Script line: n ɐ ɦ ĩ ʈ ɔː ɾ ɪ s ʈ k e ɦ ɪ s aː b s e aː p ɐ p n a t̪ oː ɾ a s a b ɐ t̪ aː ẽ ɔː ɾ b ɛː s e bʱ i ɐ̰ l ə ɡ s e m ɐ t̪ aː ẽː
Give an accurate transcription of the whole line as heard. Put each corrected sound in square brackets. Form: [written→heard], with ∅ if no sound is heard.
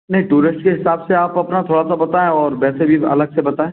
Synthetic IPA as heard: n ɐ ɦ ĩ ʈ [ɔː→uː] ɾ ɪ s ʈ k e ɦ ɪ s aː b s e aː p ɐ p n a [t̪→t̪ʰ] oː [ɾ→ɽ] a s a b ɐ t̪ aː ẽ ɔː ɾ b ɛː s e bʱ i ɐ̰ l ə ɡ s e [m→b] ɐ t̪ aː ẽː